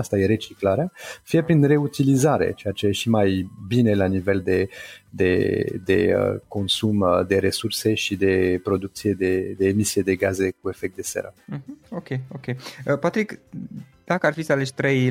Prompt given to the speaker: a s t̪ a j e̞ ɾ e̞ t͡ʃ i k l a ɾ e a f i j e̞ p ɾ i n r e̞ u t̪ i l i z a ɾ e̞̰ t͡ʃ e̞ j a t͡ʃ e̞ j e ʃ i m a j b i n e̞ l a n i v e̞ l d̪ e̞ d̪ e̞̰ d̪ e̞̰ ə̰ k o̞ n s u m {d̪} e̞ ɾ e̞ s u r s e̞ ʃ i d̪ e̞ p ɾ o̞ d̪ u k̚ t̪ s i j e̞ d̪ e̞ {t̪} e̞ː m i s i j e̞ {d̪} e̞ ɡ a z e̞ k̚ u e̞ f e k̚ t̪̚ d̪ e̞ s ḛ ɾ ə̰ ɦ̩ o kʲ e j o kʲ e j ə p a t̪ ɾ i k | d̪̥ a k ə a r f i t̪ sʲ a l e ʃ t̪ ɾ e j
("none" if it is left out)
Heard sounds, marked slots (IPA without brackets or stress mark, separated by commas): d̪, d̪, d̪